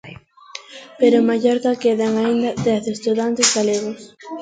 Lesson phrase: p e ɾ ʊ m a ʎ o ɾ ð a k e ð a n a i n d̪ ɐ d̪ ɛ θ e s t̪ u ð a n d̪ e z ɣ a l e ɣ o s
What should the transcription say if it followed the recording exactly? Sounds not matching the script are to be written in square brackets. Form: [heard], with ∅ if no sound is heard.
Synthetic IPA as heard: p e ɾ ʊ m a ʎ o ɾ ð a k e ð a [ŋ] a i n d̪ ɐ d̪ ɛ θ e s t̪ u ð a n [t̪] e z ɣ a l e ɣ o s